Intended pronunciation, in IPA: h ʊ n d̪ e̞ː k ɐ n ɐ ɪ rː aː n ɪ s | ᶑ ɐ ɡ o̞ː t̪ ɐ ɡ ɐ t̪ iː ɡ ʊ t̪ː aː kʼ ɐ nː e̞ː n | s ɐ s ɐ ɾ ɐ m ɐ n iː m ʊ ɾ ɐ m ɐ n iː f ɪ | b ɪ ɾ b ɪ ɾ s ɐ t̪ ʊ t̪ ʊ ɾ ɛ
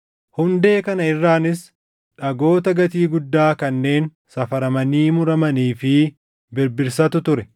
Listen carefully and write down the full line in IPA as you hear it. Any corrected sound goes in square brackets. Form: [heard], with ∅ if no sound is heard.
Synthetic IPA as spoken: h ʊ n d̪ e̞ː k ɐ n ɐ ɪ rː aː n ɪ s | ᶑ ɐ ɡ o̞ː t̪ ɐ ɡ ɐ t̪ iː ɡ ʊ [d̪ː] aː [k] ɐ nː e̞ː n | s ɐ [f] ɐ ɾ ɐ m ɐ n iː m ʊ ɾ ɐ m ɐ n iː f ɪ | b ɪ ɾ b ɪ ɾ s ɐ t̪ ʊ t̪ ʊ ɾ ɛ

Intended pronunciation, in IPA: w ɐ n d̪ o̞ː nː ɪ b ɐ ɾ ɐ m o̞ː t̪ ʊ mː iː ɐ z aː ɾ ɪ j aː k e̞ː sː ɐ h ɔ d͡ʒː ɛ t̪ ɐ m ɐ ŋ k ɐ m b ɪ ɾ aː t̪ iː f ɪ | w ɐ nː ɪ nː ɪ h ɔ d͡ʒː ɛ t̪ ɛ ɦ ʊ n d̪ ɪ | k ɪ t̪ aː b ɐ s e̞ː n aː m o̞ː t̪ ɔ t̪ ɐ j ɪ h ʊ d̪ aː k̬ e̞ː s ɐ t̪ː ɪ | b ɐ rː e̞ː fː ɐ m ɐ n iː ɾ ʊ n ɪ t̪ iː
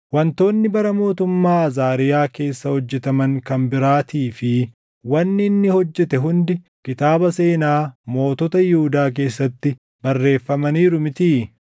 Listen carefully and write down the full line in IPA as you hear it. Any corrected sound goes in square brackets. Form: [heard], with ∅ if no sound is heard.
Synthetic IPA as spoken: w ɐ n [t̪] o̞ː nː ɪ b ɐ ɾ ɐ m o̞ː t̪ ʊ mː [aː] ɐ z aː ɾ ɪ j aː k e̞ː sː ɐ h ɔ d͡ʒː ɛ t̪ ɐ m ɐ ŋ k ɐ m b ɪ ɾ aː t̪ iː f ɪ | w ɐ nː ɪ nː ɪ h ɔ d͡ʒː ɛ t̪ ɛ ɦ ʊ n d̪ ɪ | k ɪ t̪ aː b ɐ s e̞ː n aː m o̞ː t̪ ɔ t̪ ɐ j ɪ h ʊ d̪ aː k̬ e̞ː [sː] ɐ t̪ː ɪ | b ɐ rː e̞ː fː ɐ m ɐ n iː ɾ ʊ [m] ɪ t̪ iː

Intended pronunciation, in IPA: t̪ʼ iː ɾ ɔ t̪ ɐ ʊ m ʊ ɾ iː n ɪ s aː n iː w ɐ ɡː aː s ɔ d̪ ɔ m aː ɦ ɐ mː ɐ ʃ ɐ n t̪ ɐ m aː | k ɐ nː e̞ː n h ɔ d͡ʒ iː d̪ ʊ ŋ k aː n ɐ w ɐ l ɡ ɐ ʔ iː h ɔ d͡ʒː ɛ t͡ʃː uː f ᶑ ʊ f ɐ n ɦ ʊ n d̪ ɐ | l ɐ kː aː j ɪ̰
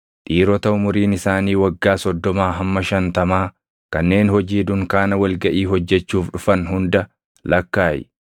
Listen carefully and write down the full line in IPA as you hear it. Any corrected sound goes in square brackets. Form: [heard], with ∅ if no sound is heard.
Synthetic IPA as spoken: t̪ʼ iː ɾ ɔ t̪ ɐ ʊ m ʊ ɾ iː n ɪ s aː n iː w ɐ ɡː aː s ɔ [d̪ː] ɔ m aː ɦ ɐ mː ɐ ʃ ɐ n t̪ ɐ m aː | k ɐ nː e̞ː n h ɔ d͡ʒ iː d̪ ʊ ŋ k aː n ɐ w ɐ l ɡ ɐ ʔ iː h ɔ d͡ʒː ɛ t͡ʃː uː f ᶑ ʊ f ɐ n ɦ ʊ n d̪ ɐ | l ɐ kː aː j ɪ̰

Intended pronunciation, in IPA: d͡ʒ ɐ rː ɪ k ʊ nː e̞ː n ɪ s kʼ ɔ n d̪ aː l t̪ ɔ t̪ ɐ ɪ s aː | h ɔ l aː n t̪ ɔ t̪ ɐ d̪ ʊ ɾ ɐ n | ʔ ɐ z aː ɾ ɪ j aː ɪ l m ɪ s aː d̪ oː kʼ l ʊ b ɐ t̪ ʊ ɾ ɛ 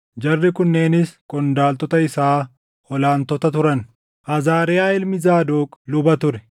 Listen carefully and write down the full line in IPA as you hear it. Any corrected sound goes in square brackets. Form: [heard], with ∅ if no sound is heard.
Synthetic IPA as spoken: d͡ʒ ɐ rː ɪ k ʊ nː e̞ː n ɪ s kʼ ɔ n d̪ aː l t̪ ɔ t̪ ɐ ɪ s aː | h ɔ l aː n t̪ ɔ t̪ ɐ [t̪] ʊ ɾ ɐ n | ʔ ɐ z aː ɾ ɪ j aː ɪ l m ɪ [z] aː d̪ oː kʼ l ʊ b ɐ t̪ ʊ ɾ ɛ

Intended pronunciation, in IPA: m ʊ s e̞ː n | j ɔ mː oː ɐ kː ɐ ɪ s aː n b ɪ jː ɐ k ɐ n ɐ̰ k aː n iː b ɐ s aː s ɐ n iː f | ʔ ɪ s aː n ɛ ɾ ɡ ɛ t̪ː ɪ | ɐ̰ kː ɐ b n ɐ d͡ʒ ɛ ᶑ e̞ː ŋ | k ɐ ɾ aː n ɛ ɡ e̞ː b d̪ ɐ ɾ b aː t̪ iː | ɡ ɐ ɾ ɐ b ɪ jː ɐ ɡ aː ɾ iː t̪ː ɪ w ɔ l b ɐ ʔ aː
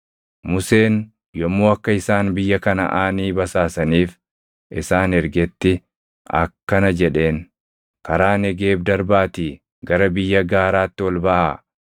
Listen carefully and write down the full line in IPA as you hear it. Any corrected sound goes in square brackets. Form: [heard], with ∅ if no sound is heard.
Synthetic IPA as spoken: m ʊ s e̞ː n | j ɔ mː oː ɐ kː ɐ ɪ s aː n b ɪ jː ɐ k ɐ n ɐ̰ [ʔ] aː n iː b ɐ s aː s ɐ n iː f | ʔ ɪ s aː n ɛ ɾ ɡ ɛ t̪ː ɪ | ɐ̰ kː ɐ [∅] n ɐ d͡ʒ ɛ ᶑ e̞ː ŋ | k ɐ ɾ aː n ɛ ɡ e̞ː b d̪ ɐ ɾ b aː t̪ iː | ɡ ɐ ɾ ɐ b ɪ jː ɐ ɡ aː ɾ [aː] t̪ː ɪ w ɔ l b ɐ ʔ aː

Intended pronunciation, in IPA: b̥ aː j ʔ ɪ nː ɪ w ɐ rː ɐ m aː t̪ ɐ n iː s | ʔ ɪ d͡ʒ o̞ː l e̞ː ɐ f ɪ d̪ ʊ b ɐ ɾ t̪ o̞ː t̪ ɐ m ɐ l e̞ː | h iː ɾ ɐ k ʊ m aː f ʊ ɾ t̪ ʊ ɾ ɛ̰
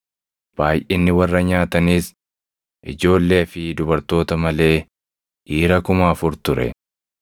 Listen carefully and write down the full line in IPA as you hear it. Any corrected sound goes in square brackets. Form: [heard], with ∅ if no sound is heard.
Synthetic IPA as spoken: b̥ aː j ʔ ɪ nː ɪ w ɐ rː ɐ [ɲ] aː t̪ ɐ n iː s | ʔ ɪ d͡ʒ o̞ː [lː] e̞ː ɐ f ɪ d̪ ʊ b ɐ ɾ t̪ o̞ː t̪ ɐ m ɐ l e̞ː | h iː ɾ ɐ k ʊ m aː f ʊ ɾ t̪ ʊ ɾ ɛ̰

